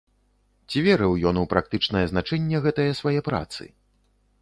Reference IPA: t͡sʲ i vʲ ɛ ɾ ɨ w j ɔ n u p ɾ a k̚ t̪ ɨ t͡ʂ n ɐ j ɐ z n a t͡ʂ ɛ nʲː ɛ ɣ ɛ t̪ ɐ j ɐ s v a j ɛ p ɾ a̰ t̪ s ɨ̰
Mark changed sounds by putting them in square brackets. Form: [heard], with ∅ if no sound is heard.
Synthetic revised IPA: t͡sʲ i vʲ ɛ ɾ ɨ w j ɔ n u p ɾ a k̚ t̪ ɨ t͡ʂ n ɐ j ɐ z n a t͡ʂ ɛ nʲː ɛ ɣ ɛ t̪ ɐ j ɐ s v a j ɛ p ɾ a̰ t̪ s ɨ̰